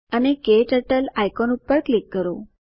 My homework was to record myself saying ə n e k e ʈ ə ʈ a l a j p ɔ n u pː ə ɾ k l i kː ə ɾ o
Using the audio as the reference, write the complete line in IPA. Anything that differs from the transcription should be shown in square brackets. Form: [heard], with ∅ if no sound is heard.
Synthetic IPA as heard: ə n e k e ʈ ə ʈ [ə] l a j [k] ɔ n u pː ə ɾ k l i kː ə ɾ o